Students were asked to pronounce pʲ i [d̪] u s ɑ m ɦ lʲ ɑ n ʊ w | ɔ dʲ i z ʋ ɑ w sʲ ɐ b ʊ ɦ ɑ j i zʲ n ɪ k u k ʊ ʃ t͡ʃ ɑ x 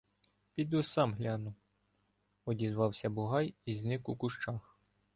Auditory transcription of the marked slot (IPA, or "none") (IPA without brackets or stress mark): d̪